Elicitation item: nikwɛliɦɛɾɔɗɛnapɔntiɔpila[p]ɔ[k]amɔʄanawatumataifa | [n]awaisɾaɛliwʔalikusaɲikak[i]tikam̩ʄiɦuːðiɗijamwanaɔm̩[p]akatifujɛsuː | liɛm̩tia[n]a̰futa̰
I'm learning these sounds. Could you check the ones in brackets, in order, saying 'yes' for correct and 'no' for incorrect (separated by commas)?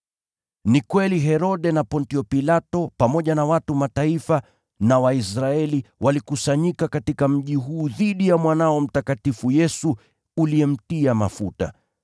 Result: no, no, yes, no, no, no